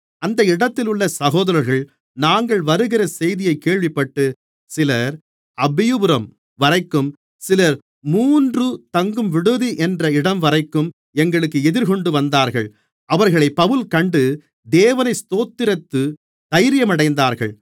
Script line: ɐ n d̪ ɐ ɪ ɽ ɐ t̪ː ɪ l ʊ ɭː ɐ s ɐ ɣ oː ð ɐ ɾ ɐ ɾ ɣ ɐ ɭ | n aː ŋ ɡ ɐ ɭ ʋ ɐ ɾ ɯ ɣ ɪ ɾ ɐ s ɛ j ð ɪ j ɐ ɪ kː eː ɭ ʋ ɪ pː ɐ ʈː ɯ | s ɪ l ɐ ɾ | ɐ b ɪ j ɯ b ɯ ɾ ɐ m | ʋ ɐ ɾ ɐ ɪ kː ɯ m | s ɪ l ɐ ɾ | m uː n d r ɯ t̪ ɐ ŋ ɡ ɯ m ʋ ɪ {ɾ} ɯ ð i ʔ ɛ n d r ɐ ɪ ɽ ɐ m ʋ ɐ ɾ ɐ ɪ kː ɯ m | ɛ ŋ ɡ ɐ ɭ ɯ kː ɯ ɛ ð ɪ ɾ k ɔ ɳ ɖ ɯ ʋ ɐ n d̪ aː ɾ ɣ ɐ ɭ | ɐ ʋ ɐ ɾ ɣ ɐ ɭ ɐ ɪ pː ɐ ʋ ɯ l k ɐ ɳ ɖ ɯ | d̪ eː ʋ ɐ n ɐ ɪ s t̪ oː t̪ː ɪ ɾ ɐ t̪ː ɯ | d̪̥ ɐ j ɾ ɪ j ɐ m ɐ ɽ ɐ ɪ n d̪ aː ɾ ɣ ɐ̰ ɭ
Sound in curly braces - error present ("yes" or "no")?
yes